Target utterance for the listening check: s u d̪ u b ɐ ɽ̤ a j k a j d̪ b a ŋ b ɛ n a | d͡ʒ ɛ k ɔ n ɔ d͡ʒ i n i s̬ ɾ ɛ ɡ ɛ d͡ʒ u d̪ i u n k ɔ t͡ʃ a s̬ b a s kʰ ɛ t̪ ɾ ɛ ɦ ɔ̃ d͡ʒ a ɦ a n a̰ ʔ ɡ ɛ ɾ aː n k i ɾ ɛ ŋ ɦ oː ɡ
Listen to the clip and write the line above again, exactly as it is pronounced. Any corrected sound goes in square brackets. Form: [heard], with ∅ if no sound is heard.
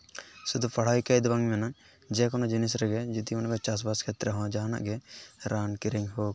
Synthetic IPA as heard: s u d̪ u [p] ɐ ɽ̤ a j k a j d̪ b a ŋ [m] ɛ n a | d͡ʒ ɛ k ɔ n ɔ d͡ʒ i n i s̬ ɾ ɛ ɡ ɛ d͡ʒ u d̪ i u n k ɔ t͡ʃ a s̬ b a s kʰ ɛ t̪ ɾ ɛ ɦ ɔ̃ d͡ʒ a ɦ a n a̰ ʔ ɡ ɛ ɾ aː n k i ɾ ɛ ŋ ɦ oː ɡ